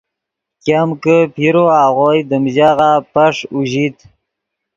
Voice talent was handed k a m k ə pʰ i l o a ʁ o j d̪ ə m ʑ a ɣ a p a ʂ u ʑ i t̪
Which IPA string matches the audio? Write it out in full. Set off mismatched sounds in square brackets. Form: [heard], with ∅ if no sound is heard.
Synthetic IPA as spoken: k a m k ə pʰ i [ɾ] o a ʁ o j d̪ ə m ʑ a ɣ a p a ʂ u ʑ i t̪